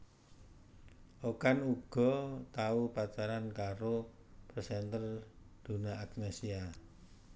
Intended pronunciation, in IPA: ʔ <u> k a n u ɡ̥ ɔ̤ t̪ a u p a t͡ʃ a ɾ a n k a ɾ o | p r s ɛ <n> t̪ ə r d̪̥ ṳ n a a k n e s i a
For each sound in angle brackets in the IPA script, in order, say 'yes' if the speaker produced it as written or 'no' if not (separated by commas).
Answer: no, yes